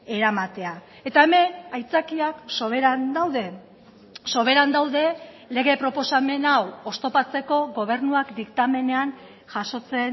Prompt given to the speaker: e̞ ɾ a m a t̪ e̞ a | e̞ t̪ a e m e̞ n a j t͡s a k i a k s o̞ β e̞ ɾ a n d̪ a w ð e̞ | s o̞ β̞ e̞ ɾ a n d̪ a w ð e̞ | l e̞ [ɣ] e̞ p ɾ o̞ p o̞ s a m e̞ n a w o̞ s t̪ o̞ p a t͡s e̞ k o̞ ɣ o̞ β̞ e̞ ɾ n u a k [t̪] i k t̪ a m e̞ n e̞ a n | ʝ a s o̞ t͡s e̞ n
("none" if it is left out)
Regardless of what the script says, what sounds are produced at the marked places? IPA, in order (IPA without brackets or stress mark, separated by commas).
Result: ɣ, d̪